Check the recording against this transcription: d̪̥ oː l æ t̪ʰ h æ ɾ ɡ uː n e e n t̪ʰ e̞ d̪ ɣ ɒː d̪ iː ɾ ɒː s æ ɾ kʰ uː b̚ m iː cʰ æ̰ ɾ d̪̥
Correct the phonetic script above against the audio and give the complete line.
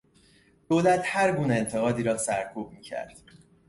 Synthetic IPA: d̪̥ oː l æ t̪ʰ h æ ɾ ɡ uː n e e n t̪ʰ e̞ ɣ ɒː d̪ iː ɾ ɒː s æ ɾ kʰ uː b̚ m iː cʰ æ̰ ɾ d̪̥